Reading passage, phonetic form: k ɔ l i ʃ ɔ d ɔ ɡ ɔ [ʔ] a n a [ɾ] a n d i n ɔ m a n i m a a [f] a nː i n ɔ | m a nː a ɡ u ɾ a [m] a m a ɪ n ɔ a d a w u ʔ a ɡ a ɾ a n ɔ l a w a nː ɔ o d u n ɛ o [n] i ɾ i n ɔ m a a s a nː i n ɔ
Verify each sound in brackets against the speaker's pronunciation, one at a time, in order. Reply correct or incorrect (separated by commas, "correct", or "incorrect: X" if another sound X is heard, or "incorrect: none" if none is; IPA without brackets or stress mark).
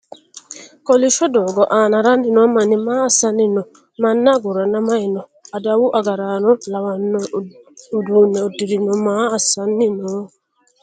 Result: correct, correct, incorrect: s, incorrect: n, incorrect: d